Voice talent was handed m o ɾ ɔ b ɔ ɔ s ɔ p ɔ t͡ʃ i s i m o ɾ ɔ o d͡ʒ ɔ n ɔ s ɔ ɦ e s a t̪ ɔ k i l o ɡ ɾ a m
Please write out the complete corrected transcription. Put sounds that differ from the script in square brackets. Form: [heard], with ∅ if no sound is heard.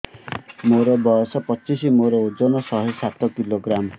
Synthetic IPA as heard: m o ɾ ɔ b ɔ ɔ s ɔ p ɔ t͡ʃ i s i m o ɾ ɔ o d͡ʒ ɔ n ɔ s ɔ ɦ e s a t̪ ɔ k i l o ɡ ɾ a m